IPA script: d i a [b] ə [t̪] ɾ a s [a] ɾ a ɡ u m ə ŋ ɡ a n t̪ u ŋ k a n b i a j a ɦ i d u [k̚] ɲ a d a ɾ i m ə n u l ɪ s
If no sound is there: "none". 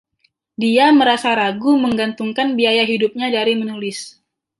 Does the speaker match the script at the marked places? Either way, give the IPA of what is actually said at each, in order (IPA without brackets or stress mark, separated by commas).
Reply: m, none, a, p̚